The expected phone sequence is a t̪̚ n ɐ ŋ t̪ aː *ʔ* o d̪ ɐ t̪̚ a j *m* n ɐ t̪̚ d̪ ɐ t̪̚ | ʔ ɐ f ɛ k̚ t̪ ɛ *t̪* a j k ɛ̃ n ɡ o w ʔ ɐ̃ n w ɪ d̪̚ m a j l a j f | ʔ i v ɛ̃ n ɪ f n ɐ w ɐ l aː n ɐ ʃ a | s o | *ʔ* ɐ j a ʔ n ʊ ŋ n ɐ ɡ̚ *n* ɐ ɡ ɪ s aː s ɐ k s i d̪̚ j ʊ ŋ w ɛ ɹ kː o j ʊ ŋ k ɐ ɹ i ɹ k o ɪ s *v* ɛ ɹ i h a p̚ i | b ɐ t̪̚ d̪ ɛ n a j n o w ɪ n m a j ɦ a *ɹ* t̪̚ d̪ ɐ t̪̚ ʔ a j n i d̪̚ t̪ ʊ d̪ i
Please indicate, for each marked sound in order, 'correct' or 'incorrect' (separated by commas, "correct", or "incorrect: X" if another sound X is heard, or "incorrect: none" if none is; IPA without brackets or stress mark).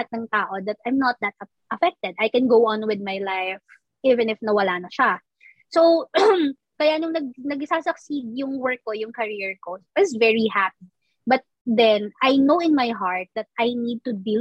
correct, correct, incorrect: d̪, incorrect: k, correct, correct, correct